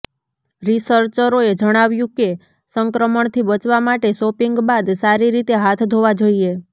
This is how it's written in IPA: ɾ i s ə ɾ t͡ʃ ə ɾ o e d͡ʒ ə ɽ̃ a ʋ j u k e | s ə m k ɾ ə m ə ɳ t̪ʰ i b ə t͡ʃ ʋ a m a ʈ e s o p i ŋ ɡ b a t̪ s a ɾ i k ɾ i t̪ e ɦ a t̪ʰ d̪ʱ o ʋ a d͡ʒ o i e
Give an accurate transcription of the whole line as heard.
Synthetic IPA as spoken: ɾ i s ə ɾ t͡ʃ ə ɾ o e d͡ʒ ə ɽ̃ a ʋ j ũ k e | s ə ŋ k ɾ ə m ə ɳ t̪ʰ i b ə t͡ʃ ʋ a m a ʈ e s o p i ŋ ɡ b a d̪ s a ɾ i ɾ i t̪ e ɦ a t̪ʰ d̪ʱ o ʋ a d͡ʒ o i e

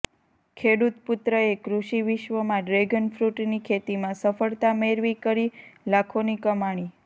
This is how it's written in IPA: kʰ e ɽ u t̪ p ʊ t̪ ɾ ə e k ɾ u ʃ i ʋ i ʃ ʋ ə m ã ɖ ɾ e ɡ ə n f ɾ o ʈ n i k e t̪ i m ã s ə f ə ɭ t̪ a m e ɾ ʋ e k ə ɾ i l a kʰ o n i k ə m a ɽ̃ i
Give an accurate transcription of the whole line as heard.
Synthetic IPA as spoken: kʰ e ɽ u t̪ p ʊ t̪ ɾ ə e k ɾ u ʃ i ʋ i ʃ ʋ ə m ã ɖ ɾ e ɡ ə n f ɾ u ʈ n i kʰ e t̪ i m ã s ə f ə ɭ t̪ a m e ɾ ʋ i k ə ɾ i l a kʰ o n i k ə m a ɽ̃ i

